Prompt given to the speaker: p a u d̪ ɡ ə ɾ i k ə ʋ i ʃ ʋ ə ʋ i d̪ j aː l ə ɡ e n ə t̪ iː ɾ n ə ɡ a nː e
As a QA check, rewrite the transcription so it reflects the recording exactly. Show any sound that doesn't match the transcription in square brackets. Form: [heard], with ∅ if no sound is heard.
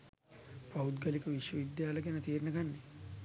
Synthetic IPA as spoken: p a u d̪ ɡ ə [l] i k ə ʋ i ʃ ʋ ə ʋ i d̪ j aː l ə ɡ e n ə t̪ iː ɾ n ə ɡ a nː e